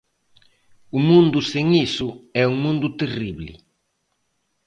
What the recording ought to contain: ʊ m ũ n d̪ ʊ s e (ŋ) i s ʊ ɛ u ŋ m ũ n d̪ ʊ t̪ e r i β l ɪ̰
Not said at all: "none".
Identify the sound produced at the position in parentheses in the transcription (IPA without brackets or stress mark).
ŋ